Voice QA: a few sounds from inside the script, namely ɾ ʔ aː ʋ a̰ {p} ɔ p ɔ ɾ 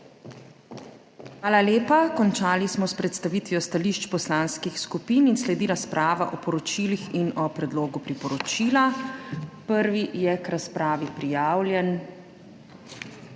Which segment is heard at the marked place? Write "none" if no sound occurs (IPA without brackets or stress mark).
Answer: ʔ